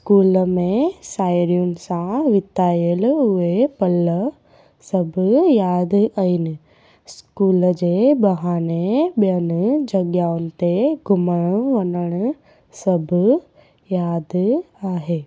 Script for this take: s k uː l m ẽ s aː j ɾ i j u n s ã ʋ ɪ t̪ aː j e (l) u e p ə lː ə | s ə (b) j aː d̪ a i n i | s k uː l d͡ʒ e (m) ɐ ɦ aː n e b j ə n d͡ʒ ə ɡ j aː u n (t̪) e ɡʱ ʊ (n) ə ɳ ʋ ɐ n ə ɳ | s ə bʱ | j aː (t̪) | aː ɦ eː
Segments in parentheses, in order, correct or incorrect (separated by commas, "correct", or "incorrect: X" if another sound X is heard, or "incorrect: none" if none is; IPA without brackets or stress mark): correct, correct, incorrect: b, correct, incorrect: m, incorrect: d̪